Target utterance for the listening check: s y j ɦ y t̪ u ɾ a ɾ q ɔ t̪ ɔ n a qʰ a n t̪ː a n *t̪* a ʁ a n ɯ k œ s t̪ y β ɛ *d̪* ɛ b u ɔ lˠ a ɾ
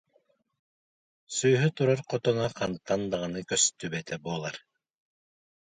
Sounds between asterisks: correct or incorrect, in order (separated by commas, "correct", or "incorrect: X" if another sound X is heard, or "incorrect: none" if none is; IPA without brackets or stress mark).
incorrect: d̪, incorrect: t̪